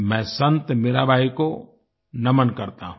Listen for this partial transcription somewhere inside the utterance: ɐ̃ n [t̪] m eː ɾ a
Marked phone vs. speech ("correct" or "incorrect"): correct